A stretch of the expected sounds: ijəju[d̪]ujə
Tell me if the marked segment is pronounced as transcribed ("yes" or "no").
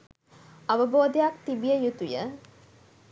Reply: no